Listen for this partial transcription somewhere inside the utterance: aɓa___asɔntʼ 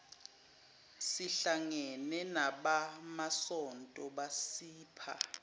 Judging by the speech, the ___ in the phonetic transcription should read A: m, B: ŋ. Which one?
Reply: A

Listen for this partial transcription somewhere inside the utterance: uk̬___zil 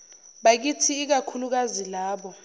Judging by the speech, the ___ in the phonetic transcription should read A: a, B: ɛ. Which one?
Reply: A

